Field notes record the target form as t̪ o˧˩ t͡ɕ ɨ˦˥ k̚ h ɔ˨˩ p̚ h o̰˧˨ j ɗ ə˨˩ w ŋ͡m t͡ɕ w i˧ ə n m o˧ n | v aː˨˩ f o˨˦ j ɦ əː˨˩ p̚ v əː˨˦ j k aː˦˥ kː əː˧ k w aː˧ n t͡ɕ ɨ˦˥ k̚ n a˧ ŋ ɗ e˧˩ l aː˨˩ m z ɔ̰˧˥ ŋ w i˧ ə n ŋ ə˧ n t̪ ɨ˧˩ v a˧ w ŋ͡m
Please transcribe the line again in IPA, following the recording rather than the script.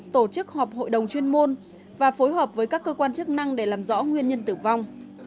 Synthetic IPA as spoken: t̪ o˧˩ t͡ɕ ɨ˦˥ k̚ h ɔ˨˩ p̚ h o̰˧˨ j ɗ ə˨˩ w ŋ͡m t͡ɕ w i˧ ə n m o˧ n | v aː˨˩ f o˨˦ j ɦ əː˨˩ p̚ v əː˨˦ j k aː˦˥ kː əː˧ k w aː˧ n t͡ɕ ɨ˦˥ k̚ n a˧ ŋ ɗ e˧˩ l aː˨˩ m z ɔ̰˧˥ ŋ w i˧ ə n ɲ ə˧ n t̪ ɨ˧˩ v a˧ w ŋ͡m